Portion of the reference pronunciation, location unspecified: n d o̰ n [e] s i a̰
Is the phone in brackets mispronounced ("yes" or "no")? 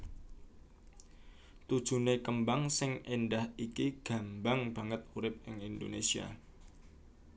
no